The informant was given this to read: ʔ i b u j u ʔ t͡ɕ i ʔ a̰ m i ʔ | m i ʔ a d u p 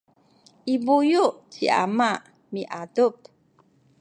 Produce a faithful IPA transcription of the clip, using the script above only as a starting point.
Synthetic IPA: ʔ i b u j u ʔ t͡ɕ i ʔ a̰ m a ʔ | m i ʔ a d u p